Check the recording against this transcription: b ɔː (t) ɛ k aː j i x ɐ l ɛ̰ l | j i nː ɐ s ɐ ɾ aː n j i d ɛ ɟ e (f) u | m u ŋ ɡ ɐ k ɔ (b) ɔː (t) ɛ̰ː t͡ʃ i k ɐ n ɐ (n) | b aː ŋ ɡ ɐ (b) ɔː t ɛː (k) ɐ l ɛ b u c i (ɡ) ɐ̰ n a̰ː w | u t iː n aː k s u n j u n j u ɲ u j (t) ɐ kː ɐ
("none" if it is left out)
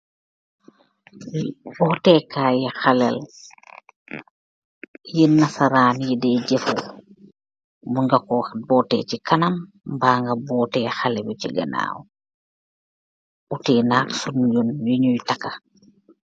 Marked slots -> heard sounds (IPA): t, f, b, t, m, b, x, ɡ, t

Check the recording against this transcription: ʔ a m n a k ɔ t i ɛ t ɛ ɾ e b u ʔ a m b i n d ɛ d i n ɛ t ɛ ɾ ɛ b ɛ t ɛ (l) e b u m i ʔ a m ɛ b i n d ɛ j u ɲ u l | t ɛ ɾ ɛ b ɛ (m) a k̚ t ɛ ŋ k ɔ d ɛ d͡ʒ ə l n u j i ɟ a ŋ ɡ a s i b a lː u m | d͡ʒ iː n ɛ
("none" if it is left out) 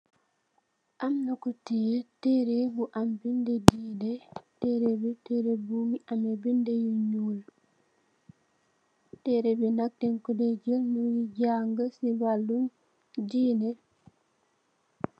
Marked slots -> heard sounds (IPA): ɾ, n

